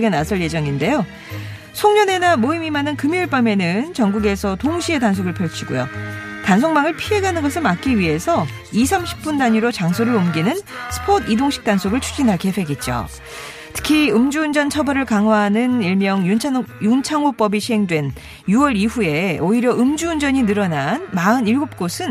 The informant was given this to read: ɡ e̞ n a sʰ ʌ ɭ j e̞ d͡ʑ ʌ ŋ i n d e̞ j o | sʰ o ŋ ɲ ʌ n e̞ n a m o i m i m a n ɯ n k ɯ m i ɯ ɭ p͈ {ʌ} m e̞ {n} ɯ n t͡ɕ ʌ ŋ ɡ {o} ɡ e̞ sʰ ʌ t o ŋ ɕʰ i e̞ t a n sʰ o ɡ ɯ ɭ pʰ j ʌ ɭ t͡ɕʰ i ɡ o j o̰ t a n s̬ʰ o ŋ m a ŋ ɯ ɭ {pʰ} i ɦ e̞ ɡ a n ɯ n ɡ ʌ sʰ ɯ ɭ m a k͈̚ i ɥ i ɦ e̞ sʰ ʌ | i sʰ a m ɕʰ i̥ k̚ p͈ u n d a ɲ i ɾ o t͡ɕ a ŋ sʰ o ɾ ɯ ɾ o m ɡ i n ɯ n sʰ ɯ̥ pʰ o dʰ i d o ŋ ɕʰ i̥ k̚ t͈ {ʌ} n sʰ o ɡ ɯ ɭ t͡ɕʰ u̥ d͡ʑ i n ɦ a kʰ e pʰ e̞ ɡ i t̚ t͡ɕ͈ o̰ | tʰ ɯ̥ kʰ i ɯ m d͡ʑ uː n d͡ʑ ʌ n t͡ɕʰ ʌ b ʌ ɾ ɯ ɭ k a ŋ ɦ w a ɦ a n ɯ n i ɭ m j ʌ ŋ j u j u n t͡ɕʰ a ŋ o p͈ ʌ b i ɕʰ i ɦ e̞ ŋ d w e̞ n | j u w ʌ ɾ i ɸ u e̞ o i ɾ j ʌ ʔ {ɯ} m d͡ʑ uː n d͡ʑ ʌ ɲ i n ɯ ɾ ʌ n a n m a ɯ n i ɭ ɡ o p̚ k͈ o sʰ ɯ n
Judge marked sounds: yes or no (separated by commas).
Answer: no, yes, no, yes, no, yes